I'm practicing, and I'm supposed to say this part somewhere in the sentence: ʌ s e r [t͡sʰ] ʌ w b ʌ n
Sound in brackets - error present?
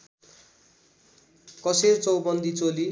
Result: yes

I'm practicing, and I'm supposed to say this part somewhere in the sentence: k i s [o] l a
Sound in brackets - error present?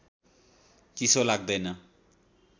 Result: no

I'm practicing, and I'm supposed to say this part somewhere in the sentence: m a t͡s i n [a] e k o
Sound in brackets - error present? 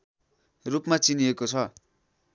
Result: yes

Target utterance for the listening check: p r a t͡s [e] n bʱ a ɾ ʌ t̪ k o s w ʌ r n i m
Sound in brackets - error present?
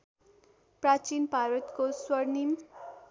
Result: yes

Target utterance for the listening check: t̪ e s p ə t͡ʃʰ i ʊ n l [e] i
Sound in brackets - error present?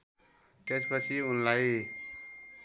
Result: yes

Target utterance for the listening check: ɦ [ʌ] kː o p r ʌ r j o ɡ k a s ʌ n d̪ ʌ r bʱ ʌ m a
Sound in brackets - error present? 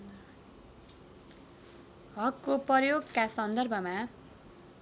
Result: no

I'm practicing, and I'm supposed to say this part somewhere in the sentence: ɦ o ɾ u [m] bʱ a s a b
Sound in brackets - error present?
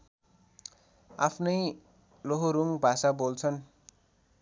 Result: yes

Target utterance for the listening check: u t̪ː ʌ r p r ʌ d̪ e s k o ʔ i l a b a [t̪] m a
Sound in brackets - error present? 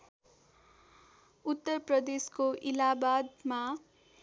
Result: yes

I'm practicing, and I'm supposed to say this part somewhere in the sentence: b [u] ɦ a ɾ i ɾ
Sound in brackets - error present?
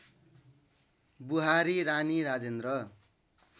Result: no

